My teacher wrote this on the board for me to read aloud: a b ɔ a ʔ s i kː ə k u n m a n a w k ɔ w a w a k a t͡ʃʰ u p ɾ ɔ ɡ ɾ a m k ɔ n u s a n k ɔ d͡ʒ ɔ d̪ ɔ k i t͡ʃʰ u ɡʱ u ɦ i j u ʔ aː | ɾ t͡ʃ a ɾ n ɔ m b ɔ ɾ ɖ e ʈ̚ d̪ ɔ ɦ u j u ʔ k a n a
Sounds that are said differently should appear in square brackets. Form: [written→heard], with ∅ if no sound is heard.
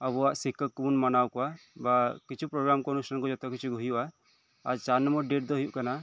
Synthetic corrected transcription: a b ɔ a ʔ s i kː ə k u n m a n a w k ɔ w a [w→b] a k [a→i] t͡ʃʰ u p ɾ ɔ ɡ ɾ a m k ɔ n u s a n k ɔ d͡ʒ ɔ [d̪→t̪] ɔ k i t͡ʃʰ u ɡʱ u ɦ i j u ʔ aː | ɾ t͡ʃ a ɾ n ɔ m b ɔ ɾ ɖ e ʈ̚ d̪ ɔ ɦ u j u ʔ k a n a